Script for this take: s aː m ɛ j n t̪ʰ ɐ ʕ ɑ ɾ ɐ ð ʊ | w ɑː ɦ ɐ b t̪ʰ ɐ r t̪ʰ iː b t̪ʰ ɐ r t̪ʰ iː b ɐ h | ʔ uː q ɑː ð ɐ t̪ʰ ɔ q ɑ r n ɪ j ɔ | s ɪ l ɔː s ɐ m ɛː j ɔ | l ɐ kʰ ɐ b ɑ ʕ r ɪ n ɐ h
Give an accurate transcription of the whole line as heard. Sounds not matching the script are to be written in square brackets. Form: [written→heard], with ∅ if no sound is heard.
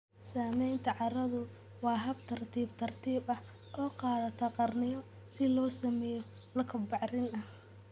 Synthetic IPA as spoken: s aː m ɛ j n t̪ʰ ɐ ʕ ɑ ɾ ɐ ð ʊ | w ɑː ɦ ɐ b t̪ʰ ɐ r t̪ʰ iː b t̪ʰ ɐ r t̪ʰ iː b ɐ h | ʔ [uː→ɔː] q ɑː ð ɐ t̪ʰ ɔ q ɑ r n ɪ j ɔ | s ɪ l ɔː s ɐ m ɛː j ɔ | l ɐ kʰ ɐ b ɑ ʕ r ɪ n ɐ h